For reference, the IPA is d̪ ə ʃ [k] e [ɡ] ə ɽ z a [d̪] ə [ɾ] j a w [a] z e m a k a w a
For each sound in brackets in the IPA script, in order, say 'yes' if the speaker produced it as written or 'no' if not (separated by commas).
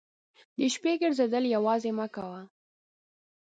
no, yes, yes, no, no